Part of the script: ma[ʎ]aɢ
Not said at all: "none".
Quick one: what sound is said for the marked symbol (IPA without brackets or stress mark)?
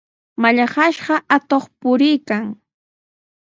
ʎ